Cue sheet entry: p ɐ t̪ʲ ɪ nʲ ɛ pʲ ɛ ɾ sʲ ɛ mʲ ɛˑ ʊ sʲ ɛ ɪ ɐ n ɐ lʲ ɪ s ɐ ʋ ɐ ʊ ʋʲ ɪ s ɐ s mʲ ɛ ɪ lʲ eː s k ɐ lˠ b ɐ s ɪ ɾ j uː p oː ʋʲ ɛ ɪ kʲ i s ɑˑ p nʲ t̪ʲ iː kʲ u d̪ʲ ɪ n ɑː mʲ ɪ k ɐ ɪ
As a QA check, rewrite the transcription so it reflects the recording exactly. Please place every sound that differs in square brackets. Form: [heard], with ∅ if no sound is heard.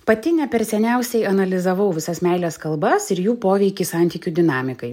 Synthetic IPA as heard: p ɐ t̪ʲ ɪ nʲ ɛ pʲ ɛ ɾ sʲ ɛ [nʲ] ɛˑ ʊ sʲ ɛ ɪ ɐ n ɐ lʲ ɪ [z] ɐ ʋ ɐ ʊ ʋʲ ɪ s ɐ s mʲ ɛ ɪ lʲ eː s k ɐ lˠ b ɐ s ɪ ɾ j uː p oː ʋʲ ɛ ɪ kʲ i s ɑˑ [∅] nʲ t̪ʲ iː kʲ u d̪ʲ ɪ n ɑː mʲ ɪ k ɐ ɪ